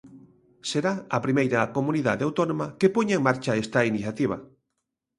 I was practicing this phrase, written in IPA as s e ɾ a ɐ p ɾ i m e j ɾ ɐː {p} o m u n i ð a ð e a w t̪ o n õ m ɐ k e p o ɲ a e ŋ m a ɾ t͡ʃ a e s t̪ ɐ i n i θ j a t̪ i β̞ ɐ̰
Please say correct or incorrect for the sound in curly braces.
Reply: incorrect